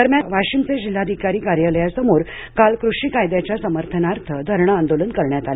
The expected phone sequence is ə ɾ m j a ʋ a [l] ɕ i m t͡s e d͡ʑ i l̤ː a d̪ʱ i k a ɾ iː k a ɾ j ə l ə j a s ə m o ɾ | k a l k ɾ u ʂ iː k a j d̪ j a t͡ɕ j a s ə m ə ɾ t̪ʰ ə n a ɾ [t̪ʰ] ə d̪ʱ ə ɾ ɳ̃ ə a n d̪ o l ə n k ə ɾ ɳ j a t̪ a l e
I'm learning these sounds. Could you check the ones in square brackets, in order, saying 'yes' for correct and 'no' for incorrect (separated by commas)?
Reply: no, yes